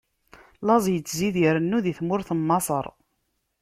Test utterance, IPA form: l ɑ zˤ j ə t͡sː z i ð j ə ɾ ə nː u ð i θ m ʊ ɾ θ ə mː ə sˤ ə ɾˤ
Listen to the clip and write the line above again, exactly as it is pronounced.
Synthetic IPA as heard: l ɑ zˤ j ə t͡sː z i ð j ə ɾ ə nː u ð i θ m ʊ ɾ θ ə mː ɑ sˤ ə ɾˤ